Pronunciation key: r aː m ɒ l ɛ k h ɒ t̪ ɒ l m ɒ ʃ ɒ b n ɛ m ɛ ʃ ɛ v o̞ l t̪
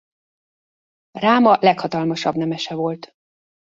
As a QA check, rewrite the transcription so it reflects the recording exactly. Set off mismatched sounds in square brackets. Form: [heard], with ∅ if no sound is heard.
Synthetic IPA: r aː m ɒ l ɛ k h ɒ t̪ ɒ l m ɒ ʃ ɒ b n ɛ m ɛ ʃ ɛ v o̞ l t̪